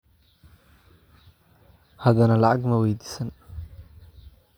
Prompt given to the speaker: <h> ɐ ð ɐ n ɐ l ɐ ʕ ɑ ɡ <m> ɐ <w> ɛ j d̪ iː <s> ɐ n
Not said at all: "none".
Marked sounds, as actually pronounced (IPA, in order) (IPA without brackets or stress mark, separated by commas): h, m, w, s